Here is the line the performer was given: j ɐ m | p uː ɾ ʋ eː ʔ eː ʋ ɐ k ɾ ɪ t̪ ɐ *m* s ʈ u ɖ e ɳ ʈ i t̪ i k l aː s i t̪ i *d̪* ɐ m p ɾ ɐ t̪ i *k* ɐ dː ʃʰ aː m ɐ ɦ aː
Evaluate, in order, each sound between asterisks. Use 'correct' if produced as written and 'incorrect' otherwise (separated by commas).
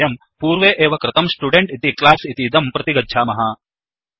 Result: correct, correct, incorrect